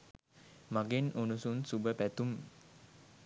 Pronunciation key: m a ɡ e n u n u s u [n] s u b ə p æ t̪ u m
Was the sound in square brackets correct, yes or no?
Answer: yes